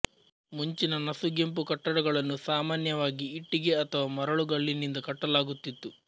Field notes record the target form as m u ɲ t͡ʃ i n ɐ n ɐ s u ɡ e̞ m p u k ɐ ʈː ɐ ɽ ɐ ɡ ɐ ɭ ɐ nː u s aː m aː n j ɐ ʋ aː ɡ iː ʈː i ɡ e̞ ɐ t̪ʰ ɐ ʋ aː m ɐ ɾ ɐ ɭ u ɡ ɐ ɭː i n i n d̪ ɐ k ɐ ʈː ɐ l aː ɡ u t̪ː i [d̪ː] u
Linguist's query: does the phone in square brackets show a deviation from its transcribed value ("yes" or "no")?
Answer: yes